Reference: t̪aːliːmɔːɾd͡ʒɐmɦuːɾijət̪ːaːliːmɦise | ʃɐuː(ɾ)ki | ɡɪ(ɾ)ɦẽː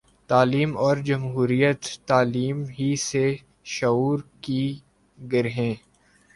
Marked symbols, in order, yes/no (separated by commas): yes, yes